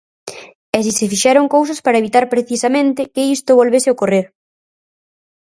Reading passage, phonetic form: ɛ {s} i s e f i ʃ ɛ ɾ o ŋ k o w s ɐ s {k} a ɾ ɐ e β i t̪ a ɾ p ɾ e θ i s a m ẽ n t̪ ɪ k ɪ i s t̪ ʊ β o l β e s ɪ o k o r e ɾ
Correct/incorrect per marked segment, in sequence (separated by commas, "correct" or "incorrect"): correct, incorrect